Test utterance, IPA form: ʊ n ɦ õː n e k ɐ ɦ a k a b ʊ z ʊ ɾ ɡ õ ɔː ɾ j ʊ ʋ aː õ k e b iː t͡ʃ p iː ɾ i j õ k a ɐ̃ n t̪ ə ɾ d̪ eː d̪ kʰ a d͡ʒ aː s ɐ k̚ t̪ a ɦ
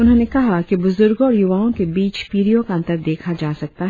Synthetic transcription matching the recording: ʊ n ɦ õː n e k ɐ ɦ a k i b ʊ z ʊ ɾ ɡ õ ɔː ɾ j ʊ ʋ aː õ k e b iː t͡ʃ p iː ɾ i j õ k a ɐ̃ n t̪ ə ɾ d̪ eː kʰ a d͡ʒ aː s ɐ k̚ t̪ a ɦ